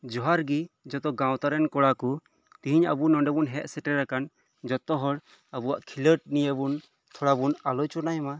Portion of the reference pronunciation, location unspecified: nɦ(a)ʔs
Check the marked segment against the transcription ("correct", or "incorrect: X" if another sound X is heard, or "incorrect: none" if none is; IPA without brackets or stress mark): incorrect: ɛ